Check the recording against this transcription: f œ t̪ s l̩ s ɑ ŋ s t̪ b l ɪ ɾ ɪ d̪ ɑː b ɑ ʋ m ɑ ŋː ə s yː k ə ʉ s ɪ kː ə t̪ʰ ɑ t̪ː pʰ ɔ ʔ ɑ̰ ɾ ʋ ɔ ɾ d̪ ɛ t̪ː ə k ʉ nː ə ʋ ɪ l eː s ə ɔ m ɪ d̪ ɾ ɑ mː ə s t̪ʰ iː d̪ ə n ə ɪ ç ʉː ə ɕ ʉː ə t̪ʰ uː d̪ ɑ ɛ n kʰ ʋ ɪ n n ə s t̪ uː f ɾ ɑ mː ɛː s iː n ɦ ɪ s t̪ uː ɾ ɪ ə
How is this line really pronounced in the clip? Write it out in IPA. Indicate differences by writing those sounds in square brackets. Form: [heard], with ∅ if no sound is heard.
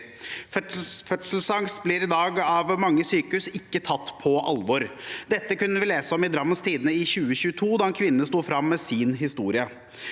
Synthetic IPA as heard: f œ t̪ s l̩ s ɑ ŋ s t̪ b l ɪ ɾ ɪ d̪ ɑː [ɡ] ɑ ʋ m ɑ ŋː ə s yː k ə ʉ s ɪ kː ə t̪ʰ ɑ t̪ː pʰ ɔ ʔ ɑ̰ [l] ʋ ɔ ɾ d̪ ɛ t̪ː ə k ʉ nː ə ʋ ɪ l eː s ə ɔ m ɪ d̪ ɾ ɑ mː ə s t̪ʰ iː d̪ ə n ə ɪ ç ʉː ə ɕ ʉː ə t̪ʰ uː d̪ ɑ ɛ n kʰ ʋ ɪ n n ə s t̪ uː f ɾ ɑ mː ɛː s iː n ɦ ɪ s t̪ uː ɾ ɪ ə

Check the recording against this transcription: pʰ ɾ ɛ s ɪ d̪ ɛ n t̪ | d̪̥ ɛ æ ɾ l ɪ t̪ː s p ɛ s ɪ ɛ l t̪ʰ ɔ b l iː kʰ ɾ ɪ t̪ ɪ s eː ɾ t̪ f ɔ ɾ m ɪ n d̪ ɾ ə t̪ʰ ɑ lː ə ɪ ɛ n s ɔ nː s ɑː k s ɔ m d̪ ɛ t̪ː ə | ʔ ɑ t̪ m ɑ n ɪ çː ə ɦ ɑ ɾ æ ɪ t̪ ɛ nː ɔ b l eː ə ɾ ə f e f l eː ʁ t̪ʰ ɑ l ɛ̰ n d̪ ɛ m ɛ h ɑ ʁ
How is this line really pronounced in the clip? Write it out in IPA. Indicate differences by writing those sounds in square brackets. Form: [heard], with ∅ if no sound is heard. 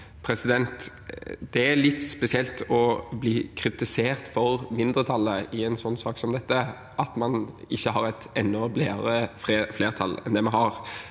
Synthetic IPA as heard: pʰ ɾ ɛ s ɪ d̪ ɛ n t̪ | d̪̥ ɛ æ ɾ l ɪ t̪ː s p ɛ s ɪ ɛ l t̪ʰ ɔ b l iː kʰ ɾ ɪ t̪ ɪ s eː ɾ t̪ f ɔ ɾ m ɪ n d̪ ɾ ə t̪ʰ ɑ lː ə ɪ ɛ n s ɔ nː s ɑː k s ɔ m d̪ ɛ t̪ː ə | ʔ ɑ t̪ m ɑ n ɪ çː ə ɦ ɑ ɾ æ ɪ t̪ ɛ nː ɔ b l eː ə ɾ ə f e f l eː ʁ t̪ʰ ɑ l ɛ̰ n d̪ ɛ m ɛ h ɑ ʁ

